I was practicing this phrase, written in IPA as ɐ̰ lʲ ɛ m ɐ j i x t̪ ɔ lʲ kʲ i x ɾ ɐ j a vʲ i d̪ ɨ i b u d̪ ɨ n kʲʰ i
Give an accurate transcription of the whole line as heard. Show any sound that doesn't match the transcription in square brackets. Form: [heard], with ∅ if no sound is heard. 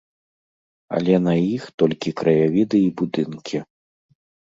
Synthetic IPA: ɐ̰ lʲ ɛ [n] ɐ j i x t̪ ɔ lʲ kʲ i [k] ɾ ɐ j a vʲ i d̪ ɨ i b u d̪ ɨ n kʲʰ i